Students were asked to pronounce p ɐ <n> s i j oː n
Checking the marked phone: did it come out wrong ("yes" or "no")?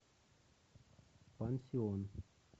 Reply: no